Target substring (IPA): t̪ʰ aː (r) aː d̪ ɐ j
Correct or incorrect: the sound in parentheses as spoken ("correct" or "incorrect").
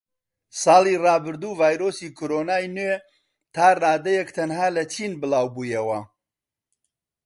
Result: correct